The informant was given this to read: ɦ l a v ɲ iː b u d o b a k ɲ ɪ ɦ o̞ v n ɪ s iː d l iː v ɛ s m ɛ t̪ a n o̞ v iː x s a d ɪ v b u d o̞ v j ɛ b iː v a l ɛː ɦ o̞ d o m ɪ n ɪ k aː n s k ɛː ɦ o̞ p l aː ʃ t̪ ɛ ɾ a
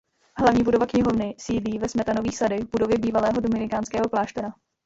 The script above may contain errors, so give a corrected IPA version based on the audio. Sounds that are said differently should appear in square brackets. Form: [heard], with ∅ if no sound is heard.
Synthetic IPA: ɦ l a v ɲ iː b u d o [v] a k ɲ ɪ ɦ o̞ v n ɪ s iː d l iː v ɛ s m ɛ t̪ a n o̞ v iː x s a d ɪ v b u d o̞ v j ɛ b iː v a l ɛː ɦ o̞ d o m ɪ n ɪ k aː n s k ɛː ɦ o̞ p l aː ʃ t̪ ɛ ɾ a